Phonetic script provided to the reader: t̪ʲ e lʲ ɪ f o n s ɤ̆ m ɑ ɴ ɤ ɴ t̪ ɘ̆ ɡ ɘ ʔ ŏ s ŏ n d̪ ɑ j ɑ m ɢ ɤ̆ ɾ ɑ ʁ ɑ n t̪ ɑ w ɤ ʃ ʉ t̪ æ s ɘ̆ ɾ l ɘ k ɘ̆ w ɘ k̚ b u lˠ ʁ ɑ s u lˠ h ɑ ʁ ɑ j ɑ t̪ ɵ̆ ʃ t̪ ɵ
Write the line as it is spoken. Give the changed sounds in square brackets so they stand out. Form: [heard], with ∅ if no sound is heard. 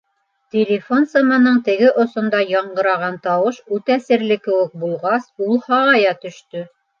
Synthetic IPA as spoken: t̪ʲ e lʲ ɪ f o n s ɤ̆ m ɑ [n] ɤ ɴ t̪ ɘ̆ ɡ ɘ ʔ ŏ s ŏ n d̪ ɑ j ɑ [ɴ] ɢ ɤ̆ ɾ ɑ ʁ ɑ n t̪ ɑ w ɤ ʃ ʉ t̪ æ s ɘ̆ ɾ l ɘ k ɘ̆ w ɘ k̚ b u lˠ ʁ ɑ s u lˠ h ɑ ʁ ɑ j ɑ t̪ ɵ̆ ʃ t̪ ɵ